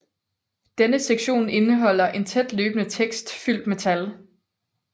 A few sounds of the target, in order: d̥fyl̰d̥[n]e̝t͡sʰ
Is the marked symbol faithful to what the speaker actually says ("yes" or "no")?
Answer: no